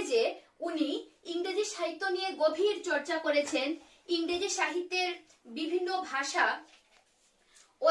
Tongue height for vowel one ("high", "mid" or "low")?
mid